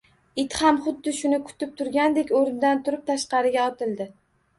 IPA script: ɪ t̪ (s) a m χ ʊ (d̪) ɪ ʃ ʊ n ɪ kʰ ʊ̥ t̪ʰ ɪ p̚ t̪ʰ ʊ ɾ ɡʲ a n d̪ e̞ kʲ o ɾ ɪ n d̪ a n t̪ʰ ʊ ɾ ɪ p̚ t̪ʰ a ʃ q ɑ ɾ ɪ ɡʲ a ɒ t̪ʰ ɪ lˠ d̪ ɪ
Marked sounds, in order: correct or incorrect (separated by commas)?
incorrect, incorrect